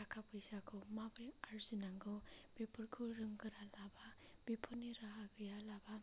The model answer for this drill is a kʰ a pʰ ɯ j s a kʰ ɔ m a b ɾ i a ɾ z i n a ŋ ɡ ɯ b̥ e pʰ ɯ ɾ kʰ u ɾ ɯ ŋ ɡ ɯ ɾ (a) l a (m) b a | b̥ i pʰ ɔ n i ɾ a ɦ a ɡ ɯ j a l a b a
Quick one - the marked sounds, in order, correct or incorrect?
correct, incorrect: none

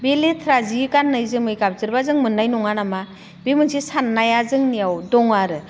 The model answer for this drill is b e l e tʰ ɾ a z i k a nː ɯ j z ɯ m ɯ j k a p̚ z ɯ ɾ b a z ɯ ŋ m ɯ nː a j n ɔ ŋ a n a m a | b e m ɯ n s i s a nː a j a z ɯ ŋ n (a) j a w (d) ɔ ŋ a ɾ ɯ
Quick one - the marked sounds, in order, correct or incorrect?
incorrect: i, correct

